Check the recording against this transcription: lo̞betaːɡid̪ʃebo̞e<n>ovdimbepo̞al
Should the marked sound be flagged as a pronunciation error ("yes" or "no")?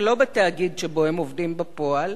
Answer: yes